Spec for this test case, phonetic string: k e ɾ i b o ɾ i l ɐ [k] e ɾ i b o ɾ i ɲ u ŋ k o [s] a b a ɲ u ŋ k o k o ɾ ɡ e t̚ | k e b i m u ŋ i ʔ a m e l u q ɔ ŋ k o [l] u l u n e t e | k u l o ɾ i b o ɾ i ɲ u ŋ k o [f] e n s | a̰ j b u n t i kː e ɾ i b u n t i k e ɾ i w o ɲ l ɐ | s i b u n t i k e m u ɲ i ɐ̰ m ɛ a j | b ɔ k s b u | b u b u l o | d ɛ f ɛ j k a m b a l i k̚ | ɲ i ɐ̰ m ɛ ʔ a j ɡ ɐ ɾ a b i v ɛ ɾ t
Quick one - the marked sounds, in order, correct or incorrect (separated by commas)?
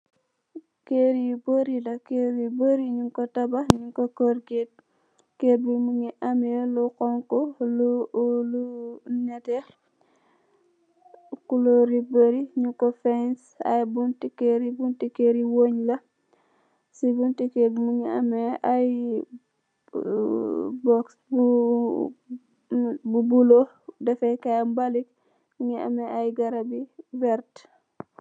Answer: correct, incorrect, correct, correct